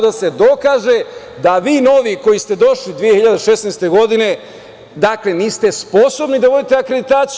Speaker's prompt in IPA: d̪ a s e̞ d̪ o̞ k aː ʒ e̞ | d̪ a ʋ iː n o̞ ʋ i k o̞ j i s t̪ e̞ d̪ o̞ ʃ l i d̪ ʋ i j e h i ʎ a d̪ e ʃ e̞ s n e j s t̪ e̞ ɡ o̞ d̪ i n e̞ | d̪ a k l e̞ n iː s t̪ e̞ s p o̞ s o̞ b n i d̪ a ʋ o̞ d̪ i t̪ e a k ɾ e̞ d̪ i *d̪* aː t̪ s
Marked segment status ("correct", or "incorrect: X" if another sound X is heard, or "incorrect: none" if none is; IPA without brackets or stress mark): incorrect: t̪